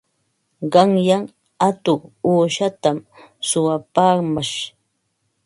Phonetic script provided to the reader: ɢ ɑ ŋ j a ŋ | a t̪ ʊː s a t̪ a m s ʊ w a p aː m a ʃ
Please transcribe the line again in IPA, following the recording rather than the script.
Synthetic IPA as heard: ɢ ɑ ŋ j a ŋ | a t̪ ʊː ʃ a t̪ a m s ʊ w a p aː m a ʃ